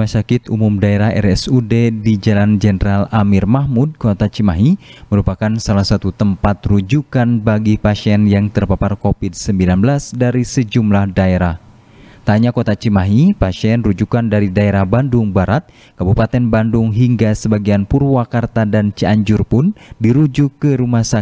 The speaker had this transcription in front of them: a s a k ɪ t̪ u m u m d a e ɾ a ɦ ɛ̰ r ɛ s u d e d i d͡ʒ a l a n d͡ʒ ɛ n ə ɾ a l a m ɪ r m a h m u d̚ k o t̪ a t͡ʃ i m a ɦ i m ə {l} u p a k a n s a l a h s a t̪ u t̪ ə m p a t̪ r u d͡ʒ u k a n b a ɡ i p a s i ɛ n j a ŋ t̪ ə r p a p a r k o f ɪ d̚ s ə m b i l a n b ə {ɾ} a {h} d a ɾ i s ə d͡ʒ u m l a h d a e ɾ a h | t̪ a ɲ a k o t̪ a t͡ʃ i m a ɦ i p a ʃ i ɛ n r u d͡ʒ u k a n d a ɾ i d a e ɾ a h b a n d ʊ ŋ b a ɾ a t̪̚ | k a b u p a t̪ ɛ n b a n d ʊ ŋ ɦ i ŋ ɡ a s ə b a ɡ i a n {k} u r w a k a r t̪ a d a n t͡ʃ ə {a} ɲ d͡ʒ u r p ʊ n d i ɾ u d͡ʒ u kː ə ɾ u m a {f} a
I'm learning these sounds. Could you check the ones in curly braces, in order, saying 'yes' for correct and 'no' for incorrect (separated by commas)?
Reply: no, no, no, no, yes, no